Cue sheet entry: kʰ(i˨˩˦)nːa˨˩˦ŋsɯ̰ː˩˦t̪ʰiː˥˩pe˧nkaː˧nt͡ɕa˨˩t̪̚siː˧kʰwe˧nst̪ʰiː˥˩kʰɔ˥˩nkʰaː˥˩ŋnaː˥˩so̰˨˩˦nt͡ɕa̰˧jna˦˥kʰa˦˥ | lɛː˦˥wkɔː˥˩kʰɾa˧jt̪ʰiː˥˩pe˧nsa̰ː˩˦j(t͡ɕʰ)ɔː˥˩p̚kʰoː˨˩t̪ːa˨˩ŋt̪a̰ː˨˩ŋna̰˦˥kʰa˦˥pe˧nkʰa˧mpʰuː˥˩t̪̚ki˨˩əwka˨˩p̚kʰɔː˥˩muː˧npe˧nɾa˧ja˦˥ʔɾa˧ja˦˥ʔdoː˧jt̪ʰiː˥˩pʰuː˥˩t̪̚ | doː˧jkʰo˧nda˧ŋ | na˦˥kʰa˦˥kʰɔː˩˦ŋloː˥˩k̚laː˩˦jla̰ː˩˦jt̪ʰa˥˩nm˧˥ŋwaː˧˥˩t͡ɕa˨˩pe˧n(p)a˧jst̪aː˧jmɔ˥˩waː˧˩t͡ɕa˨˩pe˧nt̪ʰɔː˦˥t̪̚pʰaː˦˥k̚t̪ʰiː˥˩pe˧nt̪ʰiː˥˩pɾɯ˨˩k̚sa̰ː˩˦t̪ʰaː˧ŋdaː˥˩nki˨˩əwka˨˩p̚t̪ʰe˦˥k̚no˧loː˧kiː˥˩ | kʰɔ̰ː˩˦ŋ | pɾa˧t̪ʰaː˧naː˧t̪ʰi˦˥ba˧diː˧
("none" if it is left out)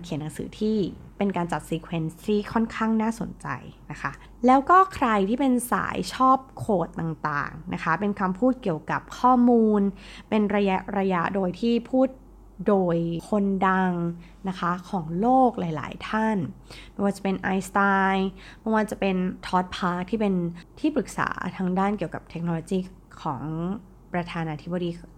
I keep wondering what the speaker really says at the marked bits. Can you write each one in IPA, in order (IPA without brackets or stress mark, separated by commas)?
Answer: i˨˩˦, t͡ɕʰ, ʔ